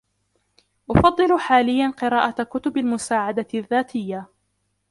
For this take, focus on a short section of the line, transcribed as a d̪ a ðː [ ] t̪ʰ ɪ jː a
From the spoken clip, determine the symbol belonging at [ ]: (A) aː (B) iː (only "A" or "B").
A